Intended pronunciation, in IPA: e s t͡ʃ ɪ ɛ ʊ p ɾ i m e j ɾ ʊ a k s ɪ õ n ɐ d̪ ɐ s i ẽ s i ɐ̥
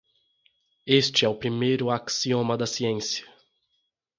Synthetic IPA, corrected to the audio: e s t͡ʃ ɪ ɛ ʊ p ɾ i m e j ɾ ʊ a k s i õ m ɐ d̪ ɐ s i ẽ s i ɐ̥